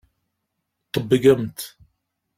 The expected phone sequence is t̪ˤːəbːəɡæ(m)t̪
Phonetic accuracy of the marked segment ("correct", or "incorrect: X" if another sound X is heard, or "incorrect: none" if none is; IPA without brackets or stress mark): correct